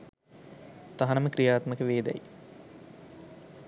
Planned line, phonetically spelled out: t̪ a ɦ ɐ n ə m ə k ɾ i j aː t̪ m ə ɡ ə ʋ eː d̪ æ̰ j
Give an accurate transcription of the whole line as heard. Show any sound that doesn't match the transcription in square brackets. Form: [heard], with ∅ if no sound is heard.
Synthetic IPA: t̪ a ɦ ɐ n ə m ə k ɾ i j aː t̪ m ə [k] ə ʋ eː d̪ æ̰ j